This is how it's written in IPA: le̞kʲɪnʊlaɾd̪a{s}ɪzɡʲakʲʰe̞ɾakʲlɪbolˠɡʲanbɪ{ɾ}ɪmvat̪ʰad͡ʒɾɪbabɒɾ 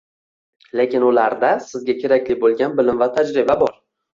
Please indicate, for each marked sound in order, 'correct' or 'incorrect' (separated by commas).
correct, incorrect